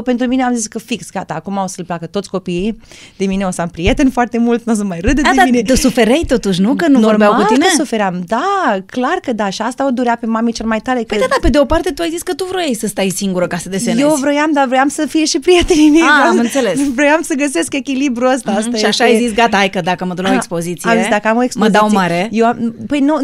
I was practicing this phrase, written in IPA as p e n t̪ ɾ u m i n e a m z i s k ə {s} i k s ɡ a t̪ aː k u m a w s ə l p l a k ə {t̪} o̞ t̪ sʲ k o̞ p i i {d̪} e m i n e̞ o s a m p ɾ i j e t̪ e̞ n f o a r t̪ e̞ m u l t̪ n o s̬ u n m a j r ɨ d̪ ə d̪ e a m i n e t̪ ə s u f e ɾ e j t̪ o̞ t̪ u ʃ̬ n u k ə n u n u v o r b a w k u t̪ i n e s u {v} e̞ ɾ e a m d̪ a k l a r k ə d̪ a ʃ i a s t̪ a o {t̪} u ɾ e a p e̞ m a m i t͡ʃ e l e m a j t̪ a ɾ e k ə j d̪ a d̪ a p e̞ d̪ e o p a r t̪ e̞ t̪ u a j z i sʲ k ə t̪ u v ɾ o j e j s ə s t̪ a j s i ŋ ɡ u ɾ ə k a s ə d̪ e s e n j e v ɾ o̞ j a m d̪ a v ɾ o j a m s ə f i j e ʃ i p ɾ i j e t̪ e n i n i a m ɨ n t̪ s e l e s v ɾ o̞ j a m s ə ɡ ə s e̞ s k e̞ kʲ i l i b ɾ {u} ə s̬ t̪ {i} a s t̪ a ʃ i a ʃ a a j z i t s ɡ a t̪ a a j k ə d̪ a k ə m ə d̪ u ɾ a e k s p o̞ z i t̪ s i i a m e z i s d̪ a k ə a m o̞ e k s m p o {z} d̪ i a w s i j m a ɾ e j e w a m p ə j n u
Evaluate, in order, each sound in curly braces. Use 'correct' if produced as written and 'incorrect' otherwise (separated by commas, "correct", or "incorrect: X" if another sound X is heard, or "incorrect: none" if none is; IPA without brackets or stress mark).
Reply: incorrect: f, correct, correct, incorrect: f, incorrect: d̪, correct, incorrect: a, correct